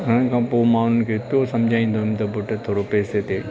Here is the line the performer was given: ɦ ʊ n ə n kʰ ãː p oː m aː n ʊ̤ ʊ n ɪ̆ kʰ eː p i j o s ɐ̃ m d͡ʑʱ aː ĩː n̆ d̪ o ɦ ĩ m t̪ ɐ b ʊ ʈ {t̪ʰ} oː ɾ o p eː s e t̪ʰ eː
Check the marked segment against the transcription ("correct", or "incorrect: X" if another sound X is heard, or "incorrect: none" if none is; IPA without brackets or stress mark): correct